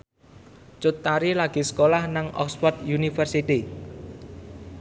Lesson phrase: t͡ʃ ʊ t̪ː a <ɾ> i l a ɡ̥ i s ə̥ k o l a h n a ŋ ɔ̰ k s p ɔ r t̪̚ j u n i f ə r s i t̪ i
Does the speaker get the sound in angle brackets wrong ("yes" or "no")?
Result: no